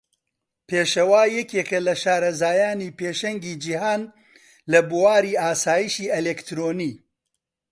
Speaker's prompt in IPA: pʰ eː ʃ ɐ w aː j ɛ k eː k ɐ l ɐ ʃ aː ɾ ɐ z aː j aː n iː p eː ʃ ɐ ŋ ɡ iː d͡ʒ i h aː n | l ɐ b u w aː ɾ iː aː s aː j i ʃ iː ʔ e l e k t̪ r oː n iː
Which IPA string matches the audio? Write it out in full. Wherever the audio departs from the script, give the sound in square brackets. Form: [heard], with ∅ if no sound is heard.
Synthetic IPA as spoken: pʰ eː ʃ ɐ w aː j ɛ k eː k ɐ l ɐ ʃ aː ɾ ɐ z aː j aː n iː p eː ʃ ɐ ŋ ɡ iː d͡ʒ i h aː n | l ɐ b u w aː ɾ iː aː s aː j i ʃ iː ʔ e l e k t̪ [ɾ] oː n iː